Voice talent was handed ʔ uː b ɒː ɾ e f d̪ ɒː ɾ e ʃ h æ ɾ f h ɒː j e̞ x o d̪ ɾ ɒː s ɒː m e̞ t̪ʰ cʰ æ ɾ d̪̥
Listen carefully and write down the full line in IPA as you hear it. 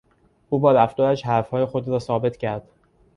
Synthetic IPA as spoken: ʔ uː b ɒː ɾ æ f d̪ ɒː ɾ æ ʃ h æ ɾ f h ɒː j e̞ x o d̪ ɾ ɒː s ɒː b e̞ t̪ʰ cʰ æ ɾ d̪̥